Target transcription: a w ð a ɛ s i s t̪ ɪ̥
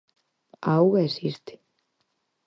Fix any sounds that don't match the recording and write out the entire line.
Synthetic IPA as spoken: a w ɣ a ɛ s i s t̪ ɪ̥